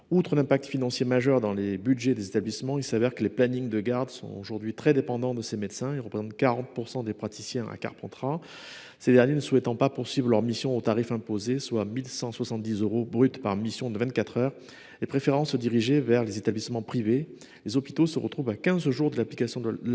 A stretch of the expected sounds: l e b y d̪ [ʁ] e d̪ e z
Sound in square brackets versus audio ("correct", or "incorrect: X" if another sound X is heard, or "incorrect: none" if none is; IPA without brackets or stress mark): incorrect: ʒ